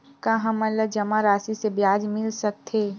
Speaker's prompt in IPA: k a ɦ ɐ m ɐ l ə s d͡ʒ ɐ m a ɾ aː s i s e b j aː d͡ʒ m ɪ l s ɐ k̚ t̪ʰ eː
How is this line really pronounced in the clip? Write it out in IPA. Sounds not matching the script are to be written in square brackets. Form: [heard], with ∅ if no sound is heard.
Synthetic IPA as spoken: k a ɦ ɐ m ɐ l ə [∅] d͡ʒ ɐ m a ɾ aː s i s e b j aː d͡ʒ m ɪ l s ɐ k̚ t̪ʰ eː